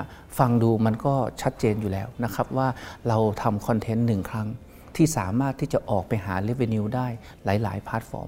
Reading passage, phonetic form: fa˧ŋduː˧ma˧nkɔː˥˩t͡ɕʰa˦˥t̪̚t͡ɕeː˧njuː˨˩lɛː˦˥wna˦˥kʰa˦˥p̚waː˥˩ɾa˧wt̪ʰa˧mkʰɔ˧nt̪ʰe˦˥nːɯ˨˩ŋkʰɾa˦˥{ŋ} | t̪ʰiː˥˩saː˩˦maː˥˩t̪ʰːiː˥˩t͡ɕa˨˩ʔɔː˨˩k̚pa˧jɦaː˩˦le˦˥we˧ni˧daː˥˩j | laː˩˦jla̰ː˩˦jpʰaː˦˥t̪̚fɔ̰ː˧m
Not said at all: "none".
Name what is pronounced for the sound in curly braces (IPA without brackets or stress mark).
ŋ